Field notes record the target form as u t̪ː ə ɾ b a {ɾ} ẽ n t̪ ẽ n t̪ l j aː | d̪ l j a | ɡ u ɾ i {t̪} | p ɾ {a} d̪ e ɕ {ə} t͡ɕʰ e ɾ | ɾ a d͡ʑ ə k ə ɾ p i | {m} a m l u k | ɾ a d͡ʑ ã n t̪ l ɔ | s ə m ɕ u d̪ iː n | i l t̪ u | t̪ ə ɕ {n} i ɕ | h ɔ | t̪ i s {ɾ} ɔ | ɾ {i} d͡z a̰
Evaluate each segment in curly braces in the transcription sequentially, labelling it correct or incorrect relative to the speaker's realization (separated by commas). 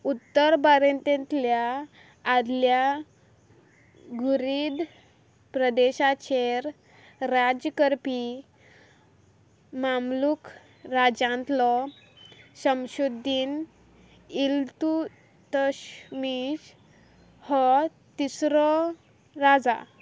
correct, incorrect, incorrect, incorrect, correct, incorrect, correct, incorrect